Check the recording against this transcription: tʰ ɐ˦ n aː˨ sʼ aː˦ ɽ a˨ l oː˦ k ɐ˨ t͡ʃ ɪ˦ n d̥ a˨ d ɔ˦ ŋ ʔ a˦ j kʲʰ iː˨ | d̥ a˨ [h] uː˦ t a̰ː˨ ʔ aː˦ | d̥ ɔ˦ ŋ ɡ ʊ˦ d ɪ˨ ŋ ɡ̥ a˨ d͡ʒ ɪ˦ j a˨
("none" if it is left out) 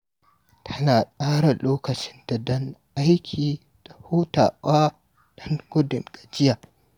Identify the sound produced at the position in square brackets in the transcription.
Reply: h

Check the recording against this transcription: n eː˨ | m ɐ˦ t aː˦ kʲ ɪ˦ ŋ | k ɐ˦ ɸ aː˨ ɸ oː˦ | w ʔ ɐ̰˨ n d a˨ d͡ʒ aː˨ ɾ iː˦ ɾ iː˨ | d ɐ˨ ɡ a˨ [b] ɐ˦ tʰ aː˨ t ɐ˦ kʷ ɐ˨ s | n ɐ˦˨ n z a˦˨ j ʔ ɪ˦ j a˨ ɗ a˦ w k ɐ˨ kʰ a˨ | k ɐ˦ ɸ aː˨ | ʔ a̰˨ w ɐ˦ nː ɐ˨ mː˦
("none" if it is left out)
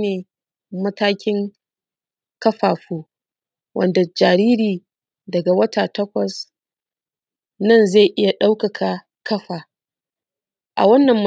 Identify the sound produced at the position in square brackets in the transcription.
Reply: w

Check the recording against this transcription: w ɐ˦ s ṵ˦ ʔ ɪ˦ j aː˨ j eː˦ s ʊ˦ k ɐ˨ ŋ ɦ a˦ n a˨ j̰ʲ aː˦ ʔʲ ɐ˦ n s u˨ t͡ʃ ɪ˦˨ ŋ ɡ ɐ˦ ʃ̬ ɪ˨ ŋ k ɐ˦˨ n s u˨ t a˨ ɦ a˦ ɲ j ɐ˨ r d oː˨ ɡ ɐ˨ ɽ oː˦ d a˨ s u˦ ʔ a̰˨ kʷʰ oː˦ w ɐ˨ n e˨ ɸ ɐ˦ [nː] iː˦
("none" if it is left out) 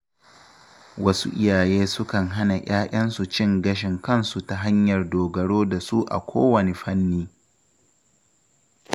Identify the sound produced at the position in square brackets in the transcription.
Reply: nː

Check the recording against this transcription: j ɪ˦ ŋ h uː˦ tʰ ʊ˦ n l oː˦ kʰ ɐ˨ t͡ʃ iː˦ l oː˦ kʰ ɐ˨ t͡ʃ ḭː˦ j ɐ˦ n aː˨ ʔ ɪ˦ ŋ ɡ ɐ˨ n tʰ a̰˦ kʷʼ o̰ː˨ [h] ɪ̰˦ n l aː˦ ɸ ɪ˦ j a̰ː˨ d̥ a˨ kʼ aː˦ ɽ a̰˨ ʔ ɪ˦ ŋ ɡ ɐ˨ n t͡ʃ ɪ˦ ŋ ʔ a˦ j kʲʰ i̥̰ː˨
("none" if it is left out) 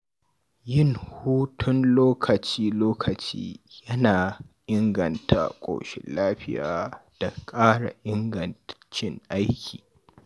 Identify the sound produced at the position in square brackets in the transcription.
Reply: ʃ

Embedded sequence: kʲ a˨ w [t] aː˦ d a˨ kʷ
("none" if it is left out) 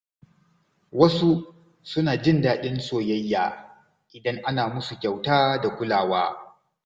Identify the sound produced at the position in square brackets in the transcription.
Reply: t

